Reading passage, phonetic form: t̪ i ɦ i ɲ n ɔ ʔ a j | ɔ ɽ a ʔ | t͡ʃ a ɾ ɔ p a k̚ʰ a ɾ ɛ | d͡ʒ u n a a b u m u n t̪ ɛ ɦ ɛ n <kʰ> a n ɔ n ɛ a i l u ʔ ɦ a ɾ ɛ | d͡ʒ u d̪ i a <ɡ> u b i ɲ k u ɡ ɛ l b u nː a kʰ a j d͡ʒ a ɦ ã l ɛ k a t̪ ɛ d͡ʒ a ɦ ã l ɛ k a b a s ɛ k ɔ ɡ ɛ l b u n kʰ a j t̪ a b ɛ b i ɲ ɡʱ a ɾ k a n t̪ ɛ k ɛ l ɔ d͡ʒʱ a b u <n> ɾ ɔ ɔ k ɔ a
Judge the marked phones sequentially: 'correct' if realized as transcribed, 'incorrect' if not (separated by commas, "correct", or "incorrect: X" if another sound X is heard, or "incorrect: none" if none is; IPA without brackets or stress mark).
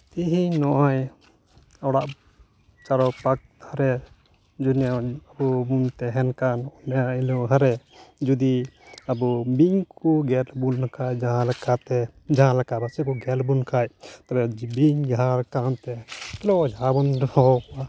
incorrect: k, incorrect: b, correct